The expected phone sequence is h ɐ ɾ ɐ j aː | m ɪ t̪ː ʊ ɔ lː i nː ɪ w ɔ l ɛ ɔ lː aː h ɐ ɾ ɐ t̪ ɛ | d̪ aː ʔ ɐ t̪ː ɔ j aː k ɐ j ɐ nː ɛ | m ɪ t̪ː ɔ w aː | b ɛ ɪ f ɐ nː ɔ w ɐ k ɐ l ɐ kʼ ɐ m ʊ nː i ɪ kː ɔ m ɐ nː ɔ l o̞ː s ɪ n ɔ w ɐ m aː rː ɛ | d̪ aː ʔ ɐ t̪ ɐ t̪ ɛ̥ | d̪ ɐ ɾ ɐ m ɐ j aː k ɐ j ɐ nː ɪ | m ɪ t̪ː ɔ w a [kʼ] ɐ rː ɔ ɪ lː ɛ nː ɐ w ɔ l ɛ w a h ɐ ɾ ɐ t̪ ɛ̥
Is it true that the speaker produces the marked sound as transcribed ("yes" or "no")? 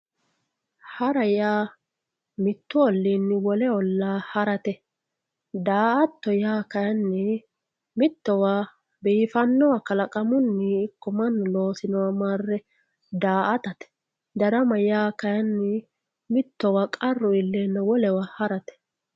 yes